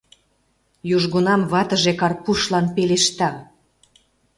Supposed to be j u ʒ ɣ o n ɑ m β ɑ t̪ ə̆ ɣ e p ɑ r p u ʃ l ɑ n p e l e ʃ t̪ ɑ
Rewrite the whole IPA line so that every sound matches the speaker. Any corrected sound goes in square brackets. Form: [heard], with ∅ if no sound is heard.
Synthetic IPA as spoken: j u ʒ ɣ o n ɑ m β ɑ t̪ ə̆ [ʒ] e [k] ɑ r p u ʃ l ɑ n p e l e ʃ t̪ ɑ